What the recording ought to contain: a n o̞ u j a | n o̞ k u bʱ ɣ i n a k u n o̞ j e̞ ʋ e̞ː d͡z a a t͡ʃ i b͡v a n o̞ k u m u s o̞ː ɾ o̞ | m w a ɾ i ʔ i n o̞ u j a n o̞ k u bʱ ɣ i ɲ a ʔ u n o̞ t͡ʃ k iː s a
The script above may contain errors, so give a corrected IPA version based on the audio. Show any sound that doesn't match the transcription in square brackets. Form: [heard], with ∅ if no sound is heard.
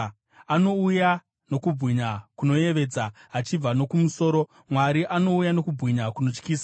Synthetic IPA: a n o̞ u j a | n o̞ k u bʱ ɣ i [ɲ] a k u n o̞ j e̞ ʋ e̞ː d͡z a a t͡ʃ i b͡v a n o̞ k u m u s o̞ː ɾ o̞ | m w a ɾ i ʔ [a] n o̞ u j a n o̞ k u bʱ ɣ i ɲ a [k] u n o̞ t͡ʃ k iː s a